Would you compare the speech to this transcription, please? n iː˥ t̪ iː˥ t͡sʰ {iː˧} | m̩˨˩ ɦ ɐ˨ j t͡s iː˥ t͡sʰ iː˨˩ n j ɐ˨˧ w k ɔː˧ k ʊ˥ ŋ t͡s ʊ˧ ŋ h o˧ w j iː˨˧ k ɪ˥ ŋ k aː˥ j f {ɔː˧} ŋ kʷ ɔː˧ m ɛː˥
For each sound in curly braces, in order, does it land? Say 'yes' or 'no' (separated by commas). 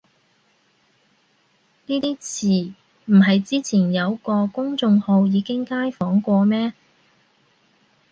no, no